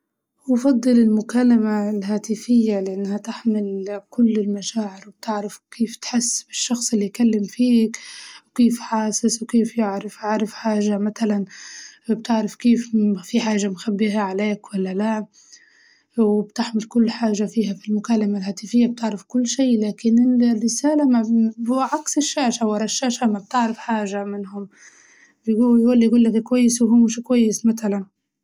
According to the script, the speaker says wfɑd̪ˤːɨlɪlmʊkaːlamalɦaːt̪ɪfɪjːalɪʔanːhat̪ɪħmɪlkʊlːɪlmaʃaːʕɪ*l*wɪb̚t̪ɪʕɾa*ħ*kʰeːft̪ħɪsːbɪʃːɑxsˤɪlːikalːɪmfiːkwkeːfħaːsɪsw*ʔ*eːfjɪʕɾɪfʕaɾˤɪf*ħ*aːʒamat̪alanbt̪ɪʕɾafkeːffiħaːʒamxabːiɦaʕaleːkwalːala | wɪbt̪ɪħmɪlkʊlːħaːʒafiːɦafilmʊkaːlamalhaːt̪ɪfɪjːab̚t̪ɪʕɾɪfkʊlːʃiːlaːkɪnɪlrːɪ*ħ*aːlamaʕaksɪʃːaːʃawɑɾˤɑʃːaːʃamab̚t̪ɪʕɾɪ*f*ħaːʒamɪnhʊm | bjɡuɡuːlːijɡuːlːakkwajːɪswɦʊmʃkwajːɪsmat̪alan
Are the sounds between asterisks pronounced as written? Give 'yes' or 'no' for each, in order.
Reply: no, no, no, yes, no, yes

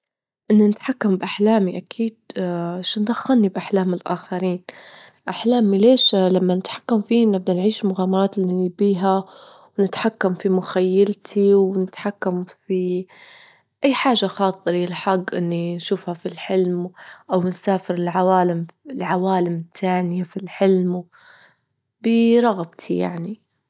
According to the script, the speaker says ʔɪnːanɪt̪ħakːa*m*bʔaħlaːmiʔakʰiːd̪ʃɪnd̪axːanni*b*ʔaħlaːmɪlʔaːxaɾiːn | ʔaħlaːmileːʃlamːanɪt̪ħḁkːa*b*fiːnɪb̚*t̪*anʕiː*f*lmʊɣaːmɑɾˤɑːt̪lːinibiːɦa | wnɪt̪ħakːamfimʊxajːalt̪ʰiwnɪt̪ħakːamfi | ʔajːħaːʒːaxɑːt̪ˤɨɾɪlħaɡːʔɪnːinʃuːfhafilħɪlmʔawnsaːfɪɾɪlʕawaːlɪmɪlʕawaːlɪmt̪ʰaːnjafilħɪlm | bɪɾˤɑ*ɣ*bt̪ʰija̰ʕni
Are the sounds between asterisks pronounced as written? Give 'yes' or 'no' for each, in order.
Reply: yes, yes, no, no, no, yes

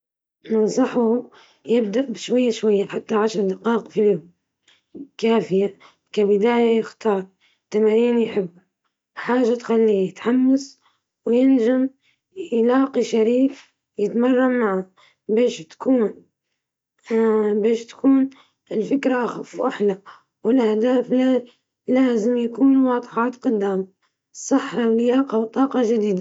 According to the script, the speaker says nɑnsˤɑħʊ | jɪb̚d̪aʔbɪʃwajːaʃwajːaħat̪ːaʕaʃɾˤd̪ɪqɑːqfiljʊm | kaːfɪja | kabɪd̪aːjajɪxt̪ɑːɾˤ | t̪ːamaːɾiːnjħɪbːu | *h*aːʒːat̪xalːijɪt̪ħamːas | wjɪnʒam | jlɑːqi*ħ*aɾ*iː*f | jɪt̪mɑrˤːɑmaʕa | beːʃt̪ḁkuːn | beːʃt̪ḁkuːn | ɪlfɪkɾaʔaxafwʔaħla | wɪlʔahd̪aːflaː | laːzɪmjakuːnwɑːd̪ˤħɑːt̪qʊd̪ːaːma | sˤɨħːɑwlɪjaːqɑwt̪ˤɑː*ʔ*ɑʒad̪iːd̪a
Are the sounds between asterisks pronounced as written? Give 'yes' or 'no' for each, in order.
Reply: no, no, yes, no

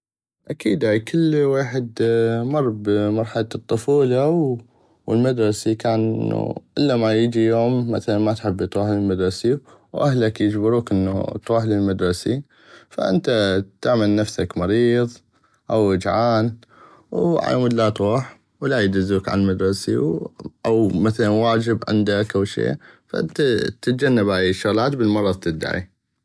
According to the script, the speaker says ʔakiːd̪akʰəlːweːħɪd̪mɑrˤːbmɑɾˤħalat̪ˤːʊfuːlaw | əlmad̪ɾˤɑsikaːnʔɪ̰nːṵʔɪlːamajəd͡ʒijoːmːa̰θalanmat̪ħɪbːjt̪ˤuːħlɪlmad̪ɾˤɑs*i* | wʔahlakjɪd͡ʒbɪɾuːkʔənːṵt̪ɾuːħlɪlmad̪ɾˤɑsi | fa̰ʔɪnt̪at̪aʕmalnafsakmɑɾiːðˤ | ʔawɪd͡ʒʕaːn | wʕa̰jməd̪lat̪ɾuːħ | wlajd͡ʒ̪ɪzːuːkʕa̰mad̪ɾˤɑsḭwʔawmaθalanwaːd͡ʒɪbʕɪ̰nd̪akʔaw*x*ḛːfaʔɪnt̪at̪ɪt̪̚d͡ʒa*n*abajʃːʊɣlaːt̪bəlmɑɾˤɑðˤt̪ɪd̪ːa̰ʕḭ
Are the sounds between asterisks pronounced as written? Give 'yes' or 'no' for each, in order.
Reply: yes, no, no

